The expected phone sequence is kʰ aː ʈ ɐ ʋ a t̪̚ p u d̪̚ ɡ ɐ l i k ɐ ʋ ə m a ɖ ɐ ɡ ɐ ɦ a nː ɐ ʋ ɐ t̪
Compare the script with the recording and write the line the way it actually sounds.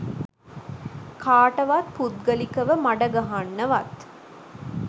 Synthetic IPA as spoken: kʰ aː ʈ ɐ ʋ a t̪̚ p u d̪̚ ɡ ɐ l i k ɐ ʋ ə m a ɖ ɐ ɡ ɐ ɦ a nː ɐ ʋ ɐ t̪